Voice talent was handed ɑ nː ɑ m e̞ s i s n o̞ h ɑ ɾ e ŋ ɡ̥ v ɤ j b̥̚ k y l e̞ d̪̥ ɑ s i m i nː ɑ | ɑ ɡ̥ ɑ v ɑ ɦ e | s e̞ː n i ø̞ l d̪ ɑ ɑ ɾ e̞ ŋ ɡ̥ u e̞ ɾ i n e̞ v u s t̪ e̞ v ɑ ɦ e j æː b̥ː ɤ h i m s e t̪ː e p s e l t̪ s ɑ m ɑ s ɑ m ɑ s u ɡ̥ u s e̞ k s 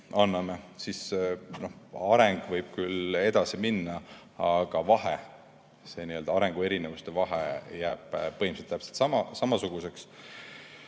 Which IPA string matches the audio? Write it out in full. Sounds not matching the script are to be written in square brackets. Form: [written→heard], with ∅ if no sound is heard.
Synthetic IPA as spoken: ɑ nː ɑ m e̞ s i s n o̞ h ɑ ɾ e ŋ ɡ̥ v ɤ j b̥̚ k y l e̞ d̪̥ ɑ s i m i nː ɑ | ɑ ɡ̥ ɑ v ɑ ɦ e | s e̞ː n i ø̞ l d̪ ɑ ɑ ɾ e̞ ŋ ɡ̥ u e̞ ɾ i n e̞ v u s t̪ e̞ v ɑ ɦ e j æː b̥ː ɤ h i m s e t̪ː [e→æ] p s e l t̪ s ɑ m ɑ s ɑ m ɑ s u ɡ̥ u s e̞ k s